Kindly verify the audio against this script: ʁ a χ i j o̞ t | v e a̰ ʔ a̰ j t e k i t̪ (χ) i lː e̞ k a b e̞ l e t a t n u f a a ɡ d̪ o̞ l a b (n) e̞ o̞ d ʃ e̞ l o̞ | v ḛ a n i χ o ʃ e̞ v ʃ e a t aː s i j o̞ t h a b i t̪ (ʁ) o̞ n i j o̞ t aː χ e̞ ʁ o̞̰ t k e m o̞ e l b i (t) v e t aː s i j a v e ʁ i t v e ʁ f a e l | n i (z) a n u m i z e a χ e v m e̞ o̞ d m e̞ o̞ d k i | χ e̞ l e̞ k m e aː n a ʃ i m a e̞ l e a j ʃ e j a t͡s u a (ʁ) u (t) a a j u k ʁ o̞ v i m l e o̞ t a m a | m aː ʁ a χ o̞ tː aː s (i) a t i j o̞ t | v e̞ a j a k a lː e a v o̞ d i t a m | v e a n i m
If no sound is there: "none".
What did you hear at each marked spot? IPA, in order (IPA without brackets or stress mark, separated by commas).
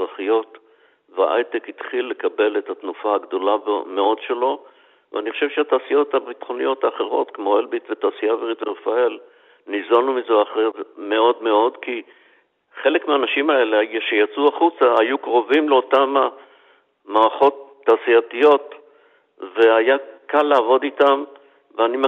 χ, m, χ, t, z, χ, t͡s, i